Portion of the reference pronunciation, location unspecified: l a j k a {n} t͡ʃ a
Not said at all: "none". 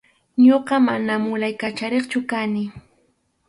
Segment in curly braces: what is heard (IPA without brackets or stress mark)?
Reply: none